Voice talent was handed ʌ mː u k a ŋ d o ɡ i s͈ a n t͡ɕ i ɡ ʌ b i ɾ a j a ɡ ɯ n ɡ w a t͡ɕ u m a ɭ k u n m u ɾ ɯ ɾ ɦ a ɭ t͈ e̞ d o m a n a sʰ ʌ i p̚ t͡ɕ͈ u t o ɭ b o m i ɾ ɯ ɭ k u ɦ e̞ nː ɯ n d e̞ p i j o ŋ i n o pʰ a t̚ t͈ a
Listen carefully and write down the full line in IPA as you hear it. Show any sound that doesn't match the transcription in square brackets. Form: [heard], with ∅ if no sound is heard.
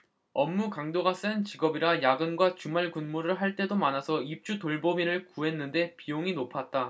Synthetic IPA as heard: ʌ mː u k a ŋ d o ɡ [a] s͈ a n t͡ɕ i ɡ ʌ b i ɾ a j a ɡ ɯ n ɡ w a t͡ɕ u m a ɭ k u n m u ɾ ɯ [ɭ] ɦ a ɭ t͈ e̞ d o m a n a sʰ ʌ i p̚ t͡ɕ͈ u t o ɭ b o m i ɾ ɯ ɭ k u ɦ e̞ nː ɯ n d e̞ p i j o ŋ i n o pʰ a t̚ t͈ a

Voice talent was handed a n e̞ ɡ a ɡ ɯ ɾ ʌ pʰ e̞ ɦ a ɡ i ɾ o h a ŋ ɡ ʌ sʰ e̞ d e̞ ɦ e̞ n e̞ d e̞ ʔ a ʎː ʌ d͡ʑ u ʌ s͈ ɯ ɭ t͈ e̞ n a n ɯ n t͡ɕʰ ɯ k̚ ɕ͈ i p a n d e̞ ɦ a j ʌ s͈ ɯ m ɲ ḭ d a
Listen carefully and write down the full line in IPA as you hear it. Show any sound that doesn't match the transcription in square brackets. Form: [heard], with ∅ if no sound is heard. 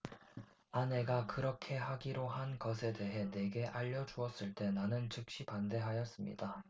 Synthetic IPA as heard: a n e̞ ɡ a [k] ɯ ɾ ʌ [kʰ] e̞ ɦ a ɡ i ɾ o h a [n] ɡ ʌ sʰ e̞ d e̞ ɦ e̞ n e̞ [ɡ] e̞ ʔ a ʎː ʌ d͡ʑ u ʌ s͈ ɯ ɭ t͈ e̞ n a n ɯ n [t͡ɕ] ɯ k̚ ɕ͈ i p a n d e̞ ɦ a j ʌ s͈ ɯ m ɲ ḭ d a

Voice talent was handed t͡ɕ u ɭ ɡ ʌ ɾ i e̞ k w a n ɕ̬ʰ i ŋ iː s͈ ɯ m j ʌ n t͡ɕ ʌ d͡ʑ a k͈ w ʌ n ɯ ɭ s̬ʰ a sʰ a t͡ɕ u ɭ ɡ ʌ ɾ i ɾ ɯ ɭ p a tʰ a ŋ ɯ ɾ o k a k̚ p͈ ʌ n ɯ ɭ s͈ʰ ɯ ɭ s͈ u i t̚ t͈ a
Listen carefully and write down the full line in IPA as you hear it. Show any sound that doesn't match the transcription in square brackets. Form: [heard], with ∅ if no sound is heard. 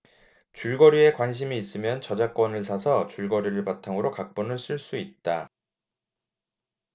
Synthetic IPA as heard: t͡ɕ u ɭ ɡ ʌ ɾ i e̞ k w a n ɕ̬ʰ i [m] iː s͈ ɯ m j ʌ n t͡ɕ ʌ d͡ʑ a k͈ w ʌ n ɯ ɭ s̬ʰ a sʰ [ʌ] t͡ɕ u ɭ ɡ ʌ ɾ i ɾ ɯ ɭ p a tʰ a ŋ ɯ ɾ o k a k̚ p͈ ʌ n ɯ ɭ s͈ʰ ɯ ɭ s͈ u i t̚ t͈ a

